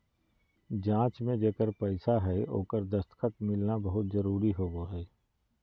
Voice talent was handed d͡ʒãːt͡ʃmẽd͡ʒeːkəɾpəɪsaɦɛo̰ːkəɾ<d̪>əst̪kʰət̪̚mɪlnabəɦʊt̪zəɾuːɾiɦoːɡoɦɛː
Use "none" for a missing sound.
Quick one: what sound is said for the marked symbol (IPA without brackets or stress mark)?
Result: d̪